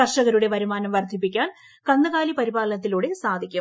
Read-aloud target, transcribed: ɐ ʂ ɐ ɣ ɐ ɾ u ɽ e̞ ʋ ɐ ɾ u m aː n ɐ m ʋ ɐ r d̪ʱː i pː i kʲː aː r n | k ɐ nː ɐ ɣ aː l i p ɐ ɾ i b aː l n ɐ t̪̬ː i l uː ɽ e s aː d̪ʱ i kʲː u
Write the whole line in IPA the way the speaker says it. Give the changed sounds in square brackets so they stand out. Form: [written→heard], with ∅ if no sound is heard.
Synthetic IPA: ɐ ʂ ɐ ɣ ɐ ɾ u ɽ e̞ ʋ ɐ ɾ u m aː n ɐ m ʋ ɐ r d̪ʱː i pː i kʲː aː [r→∅] n | k ɐ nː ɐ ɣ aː l i p ɐ ɾ i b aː l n ɐ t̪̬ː i l uː ɽ e s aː d̪ʱ i kʲː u